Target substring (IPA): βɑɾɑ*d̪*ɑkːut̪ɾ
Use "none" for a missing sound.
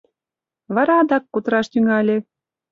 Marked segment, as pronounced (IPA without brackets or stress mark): d̪